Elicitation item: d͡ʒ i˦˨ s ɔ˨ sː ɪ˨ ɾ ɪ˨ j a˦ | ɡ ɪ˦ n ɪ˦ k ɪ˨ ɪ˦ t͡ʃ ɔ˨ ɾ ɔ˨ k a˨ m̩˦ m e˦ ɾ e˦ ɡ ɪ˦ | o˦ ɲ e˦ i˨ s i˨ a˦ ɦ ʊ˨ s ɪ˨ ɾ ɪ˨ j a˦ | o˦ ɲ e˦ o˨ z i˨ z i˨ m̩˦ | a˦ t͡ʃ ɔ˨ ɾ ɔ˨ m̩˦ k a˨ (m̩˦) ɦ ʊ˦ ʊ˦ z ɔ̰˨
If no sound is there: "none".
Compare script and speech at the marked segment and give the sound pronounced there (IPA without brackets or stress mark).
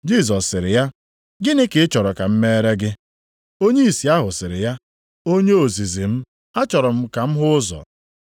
m̩˦